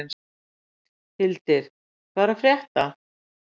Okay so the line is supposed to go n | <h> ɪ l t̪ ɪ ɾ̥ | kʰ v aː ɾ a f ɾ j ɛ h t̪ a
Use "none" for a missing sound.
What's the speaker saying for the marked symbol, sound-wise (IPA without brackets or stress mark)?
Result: h